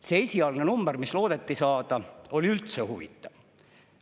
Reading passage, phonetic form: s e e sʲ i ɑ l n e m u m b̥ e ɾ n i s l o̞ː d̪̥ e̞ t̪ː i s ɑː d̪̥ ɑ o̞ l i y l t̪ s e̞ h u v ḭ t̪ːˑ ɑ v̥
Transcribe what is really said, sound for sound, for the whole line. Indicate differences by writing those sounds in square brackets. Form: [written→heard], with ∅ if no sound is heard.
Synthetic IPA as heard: s e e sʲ i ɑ l n e [m→n] u m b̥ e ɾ [n→m] i s l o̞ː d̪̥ e̞ t̪ː i s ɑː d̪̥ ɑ o̞ l i y l t̪ s e̞ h u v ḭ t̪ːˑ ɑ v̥